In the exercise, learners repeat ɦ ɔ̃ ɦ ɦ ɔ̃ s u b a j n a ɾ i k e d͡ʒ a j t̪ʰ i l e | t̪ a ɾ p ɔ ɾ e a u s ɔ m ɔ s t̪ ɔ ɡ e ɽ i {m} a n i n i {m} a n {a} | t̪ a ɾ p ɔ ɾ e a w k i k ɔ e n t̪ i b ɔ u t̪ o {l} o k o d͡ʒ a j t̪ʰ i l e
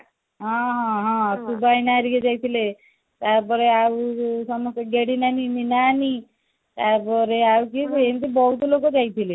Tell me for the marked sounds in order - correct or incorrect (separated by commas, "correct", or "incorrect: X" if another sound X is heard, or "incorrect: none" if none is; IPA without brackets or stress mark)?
incorrect: n, incorrect: n, incorrect: i, correct